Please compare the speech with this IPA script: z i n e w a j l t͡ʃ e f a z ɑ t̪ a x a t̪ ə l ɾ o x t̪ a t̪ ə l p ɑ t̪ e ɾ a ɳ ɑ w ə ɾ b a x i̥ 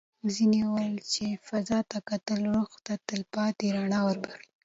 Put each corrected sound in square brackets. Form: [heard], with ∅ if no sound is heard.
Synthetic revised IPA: z i n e w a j l t͡ʃ e f a z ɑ t̪ a [k] a t̪ ə l ɾ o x t̪ a t̪ ə l p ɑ t̪ e ɾ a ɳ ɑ w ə ɾ b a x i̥